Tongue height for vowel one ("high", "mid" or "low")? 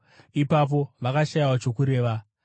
high